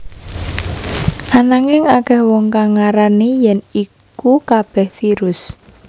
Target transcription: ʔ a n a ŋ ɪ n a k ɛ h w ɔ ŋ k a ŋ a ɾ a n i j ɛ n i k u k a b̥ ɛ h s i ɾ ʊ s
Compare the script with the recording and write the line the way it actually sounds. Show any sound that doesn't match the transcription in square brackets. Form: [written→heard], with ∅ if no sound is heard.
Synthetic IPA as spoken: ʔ a n a ŋ ɪ [n→ŋ] a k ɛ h w ɔ ŋ k a ŋ a ɾ a n i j ɛ n i k u k a b̥ ɛ h [s→f] i ɾ ʊ s